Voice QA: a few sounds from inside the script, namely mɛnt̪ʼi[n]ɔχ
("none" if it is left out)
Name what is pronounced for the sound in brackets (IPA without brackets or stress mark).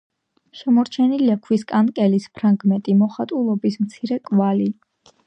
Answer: m